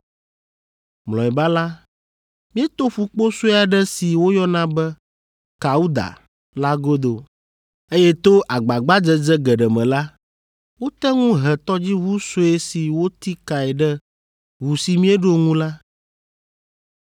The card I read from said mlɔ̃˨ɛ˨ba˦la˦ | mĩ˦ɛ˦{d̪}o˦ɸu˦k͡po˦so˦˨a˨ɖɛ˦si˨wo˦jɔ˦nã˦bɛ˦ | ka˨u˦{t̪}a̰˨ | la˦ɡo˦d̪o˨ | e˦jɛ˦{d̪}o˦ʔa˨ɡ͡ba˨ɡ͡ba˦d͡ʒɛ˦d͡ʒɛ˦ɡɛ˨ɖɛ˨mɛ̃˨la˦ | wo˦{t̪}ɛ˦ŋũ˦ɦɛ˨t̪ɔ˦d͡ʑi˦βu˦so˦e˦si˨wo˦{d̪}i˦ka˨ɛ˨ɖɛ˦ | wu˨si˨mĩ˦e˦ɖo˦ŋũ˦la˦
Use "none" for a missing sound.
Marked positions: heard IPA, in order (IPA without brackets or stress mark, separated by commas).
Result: t̪, d̪, t̪, t̪, t̪